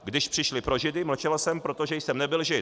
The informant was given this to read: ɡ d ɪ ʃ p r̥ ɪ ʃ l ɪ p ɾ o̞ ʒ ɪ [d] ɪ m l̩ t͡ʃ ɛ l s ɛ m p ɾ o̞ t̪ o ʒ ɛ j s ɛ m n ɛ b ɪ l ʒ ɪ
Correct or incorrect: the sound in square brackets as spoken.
correct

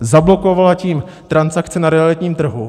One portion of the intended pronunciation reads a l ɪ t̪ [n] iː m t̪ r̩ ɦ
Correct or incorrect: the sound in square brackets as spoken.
incorrect: ɲ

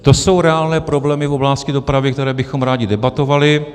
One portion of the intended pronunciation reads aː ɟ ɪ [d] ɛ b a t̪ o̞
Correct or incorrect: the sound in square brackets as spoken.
correct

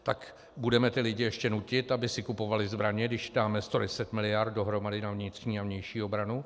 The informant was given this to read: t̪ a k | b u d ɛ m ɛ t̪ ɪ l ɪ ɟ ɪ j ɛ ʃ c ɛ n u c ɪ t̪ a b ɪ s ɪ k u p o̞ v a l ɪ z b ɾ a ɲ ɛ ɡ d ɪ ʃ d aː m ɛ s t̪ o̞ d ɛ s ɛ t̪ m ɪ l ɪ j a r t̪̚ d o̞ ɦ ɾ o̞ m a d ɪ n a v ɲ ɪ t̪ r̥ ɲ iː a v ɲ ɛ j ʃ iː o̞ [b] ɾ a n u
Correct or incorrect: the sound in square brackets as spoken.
correct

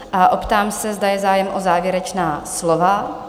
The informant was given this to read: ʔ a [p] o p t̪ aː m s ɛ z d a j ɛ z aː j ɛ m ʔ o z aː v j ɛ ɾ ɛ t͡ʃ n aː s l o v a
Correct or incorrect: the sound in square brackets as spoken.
incorrect: ʔ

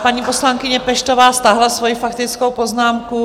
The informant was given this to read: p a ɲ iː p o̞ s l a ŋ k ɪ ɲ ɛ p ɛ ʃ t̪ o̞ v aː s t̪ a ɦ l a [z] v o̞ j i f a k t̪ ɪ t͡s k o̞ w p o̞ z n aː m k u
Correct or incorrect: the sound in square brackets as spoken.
incorrect: s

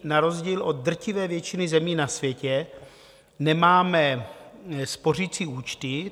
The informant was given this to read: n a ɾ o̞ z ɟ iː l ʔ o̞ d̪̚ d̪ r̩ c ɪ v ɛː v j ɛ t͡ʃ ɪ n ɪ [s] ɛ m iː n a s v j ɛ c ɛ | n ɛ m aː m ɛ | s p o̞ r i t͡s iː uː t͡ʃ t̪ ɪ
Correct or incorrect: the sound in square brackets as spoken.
incorrect: z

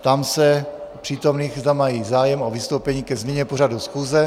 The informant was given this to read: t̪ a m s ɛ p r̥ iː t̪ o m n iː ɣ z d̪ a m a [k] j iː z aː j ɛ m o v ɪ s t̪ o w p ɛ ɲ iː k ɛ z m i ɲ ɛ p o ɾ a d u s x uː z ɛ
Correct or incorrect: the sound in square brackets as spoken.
incorrect: none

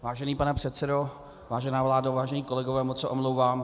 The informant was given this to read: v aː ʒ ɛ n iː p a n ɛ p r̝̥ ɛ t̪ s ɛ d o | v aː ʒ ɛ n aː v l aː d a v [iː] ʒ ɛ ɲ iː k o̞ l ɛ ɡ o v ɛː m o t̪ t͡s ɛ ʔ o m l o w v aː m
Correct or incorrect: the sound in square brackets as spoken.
incorrect: aː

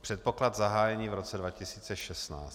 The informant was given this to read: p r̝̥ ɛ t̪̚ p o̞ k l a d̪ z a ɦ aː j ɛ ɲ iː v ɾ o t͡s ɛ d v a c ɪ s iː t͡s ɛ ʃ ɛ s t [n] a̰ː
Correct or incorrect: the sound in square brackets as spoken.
correct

